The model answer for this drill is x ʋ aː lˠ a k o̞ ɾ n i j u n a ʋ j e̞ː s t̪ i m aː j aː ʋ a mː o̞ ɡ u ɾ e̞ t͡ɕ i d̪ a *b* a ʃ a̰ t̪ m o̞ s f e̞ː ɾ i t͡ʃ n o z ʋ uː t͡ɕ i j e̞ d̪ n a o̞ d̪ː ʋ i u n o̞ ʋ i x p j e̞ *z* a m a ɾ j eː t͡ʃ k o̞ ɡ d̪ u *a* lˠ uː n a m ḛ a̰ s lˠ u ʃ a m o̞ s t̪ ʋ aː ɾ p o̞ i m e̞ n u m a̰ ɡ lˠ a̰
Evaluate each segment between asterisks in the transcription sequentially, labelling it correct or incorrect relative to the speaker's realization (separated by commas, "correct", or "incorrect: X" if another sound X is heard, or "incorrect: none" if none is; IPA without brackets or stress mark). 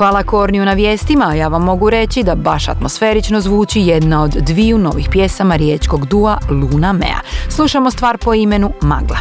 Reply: correct, incorrect: s, correct